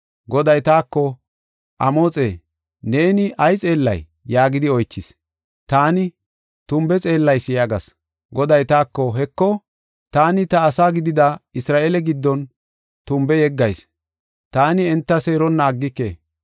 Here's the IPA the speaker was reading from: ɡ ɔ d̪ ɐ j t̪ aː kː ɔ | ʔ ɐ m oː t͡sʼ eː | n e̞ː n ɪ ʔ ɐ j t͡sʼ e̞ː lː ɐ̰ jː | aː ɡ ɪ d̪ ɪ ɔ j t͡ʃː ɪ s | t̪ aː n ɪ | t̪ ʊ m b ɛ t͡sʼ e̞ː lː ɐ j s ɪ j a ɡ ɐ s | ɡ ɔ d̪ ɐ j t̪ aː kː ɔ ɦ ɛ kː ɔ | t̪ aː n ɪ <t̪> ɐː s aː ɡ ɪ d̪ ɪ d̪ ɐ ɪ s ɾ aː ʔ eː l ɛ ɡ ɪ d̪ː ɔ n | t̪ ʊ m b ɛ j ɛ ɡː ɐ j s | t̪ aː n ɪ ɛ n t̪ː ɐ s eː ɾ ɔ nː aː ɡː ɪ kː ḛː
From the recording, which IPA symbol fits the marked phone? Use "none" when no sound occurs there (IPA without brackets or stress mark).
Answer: t̪